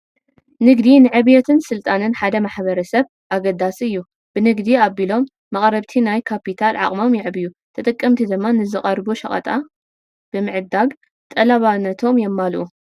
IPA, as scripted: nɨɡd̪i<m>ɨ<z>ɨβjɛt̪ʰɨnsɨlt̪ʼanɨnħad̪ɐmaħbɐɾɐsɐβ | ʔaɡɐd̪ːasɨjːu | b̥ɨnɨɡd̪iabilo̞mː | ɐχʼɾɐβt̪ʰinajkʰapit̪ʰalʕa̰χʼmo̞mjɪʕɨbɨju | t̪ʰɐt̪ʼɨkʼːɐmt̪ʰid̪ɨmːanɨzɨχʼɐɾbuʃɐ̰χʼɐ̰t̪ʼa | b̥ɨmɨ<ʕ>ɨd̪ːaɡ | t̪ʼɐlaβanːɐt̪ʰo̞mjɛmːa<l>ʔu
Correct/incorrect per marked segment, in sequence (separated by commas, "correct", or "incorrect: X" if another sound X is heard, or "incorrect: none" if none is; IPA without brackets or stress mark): incorrect: n, incorrect: ʕ, correct, correct